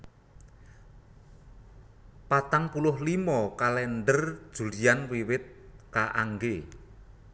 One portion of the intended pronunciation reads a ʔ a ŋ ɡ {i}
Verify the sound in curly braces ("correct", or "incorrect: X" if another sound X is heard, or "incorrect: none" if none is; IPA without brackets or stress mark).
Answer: incorrect: e